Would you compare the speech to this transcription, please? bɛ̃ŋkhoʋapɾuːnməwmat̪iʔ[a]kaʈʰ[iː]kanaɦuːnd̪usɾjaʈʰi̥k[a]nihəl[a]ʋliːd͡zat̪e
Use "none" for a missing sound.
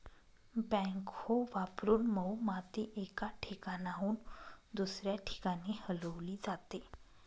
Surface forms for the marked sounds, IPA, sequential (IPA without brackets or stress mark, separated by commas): e, i, a, ə